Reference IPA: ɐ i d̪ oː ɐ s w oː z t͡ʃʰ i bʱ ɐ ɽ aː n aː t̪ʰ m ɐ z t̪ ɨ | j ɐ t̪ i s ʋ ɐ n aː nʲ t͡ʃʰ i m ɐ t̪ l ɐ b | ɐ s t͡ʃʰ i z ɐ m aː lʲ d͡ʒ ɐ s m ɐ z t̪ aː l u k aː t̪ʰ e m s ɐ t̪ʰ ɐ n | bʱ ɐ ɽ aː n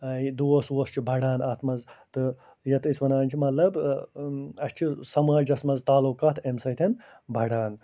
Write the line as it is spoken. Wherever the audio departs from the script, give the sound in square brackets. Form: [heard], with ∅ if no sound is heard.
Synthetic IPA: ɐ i d̪ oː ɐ s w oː [s] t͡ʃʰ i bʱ ɐ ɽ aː n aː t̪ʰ m ɐ z t̪ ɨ | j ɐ t̪ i s ʋ ɐ n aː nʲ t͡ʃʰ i m ɐ t̪ l ɐ b | ɐ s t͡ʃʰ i [s] ɐ m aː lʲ d͡ʒ ɐ s m ɐ z t̪ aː l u k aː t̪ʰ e m s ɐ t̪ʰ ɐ n | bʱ ɐ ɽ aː n